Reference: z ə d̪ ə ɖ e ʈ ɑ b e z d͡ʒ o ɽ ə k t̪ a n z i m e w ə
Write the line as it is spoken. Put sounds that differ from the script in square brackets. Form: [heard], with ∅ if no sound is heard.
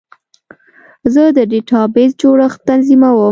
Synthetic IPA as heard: z ə d̪ ə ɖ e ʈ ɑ b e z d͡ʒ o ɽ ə [x] t̪ a n z i m [a] w ə